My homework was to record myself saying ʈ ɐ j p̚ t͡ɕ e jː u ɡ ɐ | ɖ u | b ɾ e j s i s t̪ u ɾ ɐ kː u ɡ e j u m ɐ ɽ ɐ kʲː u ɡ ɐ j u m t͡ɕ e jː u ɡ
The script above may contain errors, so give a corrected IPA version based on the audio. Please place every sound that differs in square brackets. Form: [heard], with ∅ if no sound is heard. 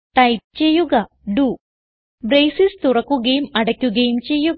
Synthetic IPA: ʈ ɐ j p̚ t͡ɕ e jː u ɡ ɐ | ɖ u | b ɾ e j s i s t̪ u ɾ ɐ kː u ɡ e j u m ɐ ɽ ɐ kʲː u ɡ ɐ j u m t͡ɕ e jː u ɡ